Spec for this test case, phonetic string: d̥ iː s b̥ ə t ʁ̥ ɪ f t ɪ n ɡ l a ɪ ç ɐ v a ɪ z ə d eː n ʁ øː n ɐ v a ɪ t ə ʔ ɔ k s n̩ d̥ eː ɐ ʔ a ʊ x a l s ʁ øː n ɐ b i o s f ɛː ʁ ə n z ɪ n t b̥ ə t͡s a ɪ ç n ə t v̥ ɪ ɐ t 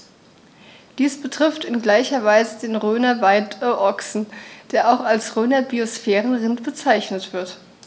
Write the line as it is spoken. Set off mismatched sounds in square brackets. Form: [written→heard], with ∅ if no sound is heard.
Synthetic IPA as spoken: d̥ iː s b̥ ə t ʁ̥ ɪ f t ɪ n ɡ l a ɪ ç ɐ v a ɪ z ə d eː n ʁ øː n ɐ v a ɪ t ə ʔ ɔ k s n̩ d̥ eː ɐ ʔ a ʊ x a l s ʁ øː n ɐ b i o s f ɛː ʁ ə n [z→ʁ] ɪ n t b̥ ə t͡s a ɪ ç n ə t v̥ ɪ ɐ t